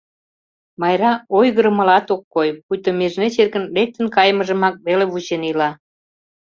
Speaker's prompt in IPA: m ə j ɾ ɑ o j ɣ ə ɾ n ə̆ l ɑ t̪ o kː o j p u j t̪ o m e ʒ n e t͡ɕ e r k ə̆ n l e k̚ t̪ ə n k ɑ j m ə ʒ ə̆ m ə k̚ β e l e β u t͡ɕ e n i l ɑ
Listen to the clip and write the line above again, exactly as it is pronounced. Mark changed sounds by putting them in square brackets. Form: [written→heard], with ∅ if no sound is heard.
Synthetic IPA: m [ə→ɑ] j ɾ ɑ o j ɣ ə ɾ [n→m] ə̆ l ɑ t̪ o kː o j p u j t̪ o m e ʒ n e t͡ɕ e r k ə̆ n l e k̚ t̪ ə n k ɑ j m ə ʒ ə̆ m [ə→ɑ] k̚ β e l e β u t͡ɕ e n i l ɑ